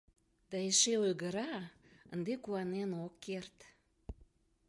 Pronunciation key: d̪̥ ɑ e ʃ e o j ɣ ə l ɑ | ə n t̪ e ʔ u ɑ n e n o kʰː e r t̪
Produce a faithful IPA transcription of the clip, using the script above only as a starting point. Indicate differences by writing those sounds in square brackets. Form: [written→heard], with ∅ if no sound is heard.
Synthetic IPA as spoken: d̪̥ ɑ e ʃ e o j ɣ ə [l→ɾ] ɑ | ə n [t̪→d̪] e [ʔ→k] u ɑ n e n o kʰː e r t̪